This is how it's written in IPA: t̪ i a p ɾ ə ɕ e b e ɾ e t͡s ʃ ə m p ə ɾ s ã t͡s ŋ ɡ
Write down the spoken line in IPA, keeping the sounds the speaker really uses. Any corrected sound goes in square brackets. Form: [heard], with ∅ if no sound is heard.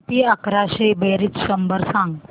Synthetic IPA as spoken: t̪ i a [k] ɾ [a] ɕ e b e ɾ [i] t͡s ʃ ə m [b] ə ɾ s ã [∅] ŋ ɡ